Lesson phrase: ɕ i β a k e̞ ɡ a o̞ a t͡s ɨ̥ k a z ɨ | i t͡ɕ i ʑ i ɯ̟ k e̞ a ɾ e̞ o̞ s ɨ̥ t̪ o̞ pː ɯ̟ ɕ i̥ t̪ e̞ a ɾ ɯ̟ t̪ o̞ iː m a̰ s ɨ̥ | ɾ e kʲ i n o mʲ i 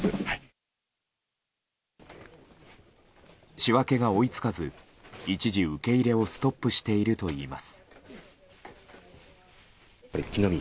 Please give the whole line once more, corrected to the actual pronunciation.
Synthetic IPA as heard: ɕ i β a k e̞ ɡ a o̞ i t͡s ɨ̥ k a z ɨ | i t͡ɕ i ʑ i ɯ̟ k e̞ i ɾ e̞ o̞ s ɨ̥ t̪ o̞ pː ɯ̟ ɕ i̥ t̪ e̞ i ɾ ɯ̟ t̪ o̞ iː m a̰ s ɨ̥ | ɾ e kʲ i n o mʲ i

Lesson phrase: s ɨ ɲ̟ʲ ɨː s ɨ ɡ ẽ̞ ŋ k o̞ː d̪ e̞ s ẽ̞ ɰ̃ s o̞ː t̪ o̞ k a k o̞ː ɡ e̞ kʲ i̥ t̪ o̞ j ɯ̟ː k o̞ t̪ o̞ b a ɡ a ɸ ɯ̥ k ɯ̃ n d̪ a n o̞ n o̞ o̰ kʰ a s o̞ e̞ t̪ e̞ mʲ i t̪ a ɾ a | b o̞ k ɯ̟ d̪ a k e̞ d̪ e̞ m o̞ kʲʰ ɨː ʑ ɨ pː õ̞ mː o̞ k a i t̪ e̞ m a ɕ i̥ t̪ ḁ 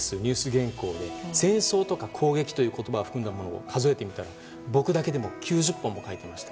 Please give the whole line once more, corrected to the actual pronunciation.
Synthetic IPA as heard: s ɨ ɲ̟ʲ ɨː s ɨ ɡ ẽ̞ ŋ k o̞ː d̪ e̞ s ẽ̞ ɰ̃ s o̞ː t̪ o̞ k a kʰ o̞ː ɡ e̞ kʲ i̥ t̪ o̞ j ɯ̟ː k o̞ t̪ o̞ b a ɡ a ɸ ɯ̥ k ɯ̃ n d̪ a m o̞ n o̞ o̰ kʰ a z o̞ e̞ t̪ e̞ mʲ i t̪ a ɾ a | b o̞ k ɯ̟ d̪ a k e̞ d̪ e̞ m o̞ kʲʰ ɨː ʑ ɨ pː õ̞ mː o̞ k a i t̪ e̞ m a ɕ i̥ t̪ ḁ

